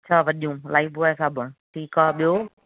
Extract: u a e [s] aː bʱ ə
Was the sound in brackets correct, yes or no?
yes